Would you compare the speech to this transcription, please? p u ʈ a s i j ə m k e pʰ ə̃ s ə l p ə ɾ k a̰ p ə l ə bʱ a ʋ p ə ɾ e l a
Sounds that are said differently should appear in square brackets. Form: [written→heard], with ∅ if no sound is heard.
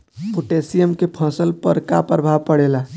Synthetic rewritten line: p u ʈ [a→e] s i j ə m k e pʰ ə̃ s ə l p ə ɾ k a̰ p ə [l→ɾ] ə bʱ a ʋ p ə [ɾ→ɽ] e l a